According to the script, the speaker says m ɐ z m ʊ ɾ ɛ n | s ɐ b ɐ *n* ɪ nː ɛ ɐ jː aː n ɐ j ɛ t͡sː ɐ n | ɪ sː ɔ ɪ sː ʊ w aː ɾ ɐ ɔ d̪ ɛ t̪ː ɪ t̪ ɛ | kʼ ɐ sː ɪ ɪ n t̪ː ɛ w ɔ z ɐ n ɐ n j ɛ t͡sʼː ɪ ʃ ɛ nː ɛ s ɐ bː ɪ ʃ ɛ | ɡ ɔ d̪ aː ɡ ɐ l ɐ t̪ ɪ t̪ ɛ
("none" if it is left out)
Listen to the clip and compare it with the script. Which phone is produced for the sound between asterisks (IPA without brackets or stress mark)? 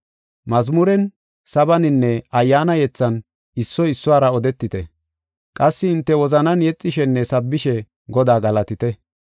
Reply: n